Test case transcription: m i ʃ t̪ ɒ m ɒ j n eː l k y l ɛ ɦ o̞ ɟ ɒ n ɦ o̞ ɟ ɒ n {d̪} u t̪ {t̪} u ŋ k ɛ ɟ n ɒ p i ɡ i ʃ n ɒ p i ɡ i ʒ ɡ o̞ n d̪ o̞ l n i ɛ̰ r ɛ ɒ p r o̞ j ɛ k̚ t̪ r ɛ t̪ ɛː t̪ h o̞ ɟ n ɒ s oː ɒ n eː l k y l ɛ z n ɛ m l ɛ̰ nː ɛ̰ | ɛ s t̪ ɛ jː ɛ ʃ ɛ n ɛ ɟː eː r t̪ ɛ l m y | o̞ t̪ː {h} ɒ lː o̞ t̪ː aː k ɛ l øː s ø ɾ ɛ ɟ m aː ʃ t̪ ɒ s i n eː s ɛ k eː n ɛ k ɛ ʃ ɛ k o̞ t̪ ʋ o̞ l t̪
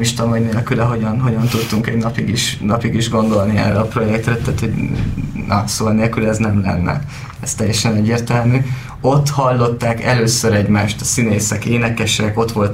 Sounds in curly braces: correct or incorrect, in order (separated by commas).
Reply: incorrect, correct, correct